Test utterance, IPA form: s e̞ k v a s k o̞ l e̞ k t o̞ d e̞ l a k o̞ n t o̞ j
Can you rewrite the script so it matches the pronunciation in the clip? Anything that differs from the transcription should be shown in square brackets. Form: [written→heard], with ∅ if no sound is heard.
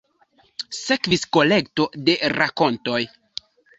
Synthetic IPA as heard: s e̞ k v [a→i] s k o̞ l e̞ k t o̞ d e̞ [l→ɾ] a k o̞ n t o̞ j